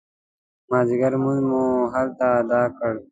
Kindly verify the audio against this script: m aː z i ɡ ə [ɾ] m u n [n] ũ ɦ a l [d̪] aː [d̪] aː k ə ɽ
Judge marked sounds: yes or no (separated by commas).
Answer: yes, no, no, yes